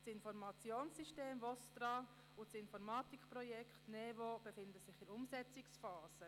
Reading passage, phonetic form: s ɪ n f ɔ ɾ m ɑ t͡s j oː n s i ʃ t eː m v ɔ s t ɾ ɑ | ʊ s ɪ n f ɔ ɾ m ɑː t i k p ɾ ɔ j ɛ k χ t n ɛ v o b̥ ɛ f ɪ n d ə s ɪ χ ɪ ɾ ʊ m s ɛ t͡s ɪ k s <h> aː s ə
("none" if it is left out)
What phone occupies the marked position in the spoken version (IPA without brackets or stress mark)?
f